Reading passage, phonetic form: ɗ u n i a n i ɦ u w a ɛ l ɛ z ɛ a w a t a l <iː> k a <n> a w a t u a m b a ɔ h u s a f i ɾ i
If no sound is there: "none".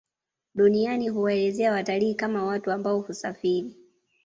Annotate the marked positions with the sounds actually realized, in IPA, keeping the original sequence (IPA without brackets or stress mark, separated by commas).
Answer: iː, m